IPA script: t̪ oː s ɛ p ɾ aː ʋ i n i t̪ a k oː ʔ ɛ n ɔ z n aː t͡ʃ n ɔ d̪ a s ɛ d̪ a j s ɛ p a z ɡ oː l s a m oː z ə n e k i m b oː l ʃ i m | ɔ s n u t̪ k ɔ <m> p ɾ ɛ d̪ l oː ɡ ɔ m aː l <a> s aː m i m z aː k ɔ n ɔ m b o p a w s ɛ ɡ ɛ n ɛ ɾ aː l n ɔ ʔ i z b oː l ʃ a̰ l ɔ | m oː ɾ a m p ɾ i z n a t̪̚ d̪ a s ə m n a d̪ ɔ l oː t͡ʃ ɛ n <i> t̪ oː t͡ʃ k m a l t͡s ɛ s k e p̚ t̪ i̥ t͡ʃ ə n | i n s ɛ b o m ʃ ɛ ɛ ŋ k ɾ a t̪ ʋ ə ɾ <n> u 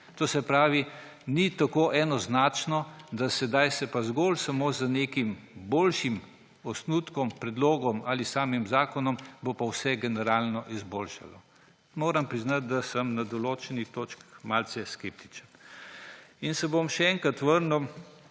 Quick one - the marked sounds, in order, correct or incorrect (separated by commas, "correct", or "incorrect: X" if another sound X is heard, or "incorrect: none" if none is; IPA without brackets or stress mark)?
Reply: correct, incorrect: i, correct, correct